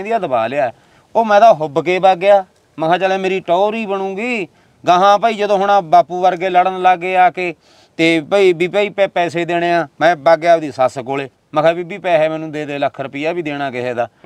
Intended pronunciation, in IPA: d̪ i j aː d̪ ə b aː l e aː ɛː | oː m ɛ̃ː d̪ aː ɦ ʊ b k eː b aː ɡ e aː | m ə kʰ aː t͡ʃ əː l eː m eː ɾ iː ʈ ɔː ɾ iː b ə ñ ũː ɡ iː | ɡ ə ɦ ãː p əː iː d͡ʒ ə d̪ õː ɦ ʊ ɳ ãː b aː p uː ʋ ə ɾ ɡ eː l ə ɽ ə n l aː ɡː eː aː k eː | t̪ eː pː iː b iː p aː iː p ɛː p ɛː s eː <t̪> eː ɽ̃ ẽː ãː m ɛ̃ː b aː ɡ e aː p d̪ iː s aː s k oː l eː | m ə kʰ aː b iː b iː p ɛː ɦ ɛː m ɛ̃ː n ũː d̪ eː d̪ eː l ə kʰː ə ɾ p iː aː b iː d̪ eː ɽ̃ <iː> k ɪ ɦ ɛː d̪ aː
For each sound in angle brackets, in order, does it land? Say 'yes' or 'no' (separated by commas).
no, no